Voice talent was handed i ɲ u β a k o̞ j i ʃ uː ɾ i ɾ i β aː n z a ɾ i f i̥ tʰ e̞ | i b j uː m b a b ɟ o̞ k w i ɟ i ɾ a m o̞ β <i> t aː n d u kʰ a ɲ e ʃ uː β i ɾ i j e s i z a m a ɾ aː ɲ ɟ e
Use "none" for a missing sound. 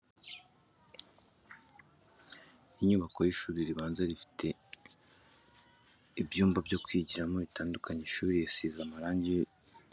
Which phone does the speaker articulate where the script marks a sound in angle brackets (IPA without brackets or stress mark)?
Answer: i